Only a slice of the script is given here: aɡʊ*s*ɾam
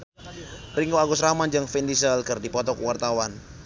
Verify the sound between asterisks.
correct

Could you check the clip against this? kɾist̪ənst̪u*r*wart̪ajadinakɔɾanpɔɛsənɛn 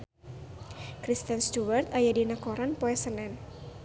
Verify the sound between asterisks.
incorrect: none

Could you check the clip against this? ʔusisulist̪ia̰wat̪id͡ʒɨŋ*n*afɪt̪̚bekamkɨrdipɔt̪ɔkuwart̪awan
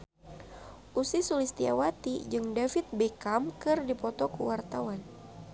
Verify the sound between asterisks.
incorrect: d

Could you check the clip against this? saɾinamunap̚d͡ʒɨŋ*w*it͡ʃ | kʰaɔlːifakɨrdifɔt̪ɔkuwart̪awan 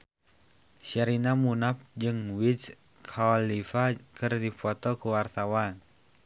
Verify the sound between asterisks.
correct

